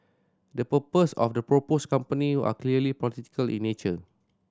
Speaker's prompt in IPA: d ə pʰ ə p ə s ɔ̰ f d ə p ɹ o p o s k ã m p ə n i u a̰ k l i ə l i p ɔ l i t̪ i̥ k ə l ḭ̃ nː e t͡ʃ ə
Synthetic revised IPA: d ə p ə p ə s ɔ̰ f d ə p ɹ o p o s k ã m p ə n i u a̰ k l i ə l i p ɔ l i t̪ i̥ k ə l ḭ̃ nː e t͡ʃ ə